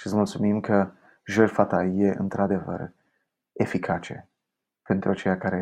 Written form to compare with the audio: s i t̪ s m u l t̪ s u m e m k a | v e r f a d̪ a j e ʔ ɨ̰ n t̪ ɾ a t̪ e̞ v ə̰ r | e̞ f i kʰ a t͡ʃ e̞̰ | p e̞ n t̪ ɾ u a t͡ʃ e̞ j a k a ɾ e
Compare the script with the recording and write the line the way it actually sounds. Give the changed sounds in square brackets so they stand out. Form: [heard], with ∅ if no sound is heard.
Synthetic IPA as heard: [ʃ] i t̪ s m u l t̪ s u m [i] m k [ə] | [ʒ] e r f a [t̪] a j e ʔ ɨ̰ n t̪ ɾ a [d̪] e̞ v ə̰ r | e̞ f i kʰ a t͡ʃ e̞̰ | p e̞ n t̪ ɾ u a t͡ʃ e̞ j a k a ɾ e